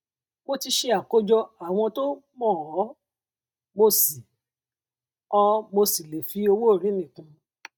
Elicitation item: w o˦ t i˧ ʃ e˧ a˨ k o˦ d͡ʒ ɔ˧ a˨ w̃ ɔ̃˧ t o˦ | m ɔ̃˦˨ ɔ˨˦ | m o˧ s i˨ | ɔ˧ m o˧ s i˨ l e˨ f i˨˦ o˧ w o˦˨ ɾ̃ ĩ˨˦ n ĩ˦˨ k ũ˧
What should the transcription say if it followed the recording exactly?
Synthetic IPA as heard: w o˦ t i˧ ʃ e˧ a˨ k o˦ d͡ʒ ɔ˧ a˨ w̃ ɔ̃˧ t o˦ | m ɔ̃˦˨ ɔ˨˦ | m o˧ s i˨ | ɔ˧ m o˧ s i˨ l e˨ f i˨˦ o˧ w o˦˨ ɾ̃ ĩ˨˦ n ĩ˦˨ k ũ˧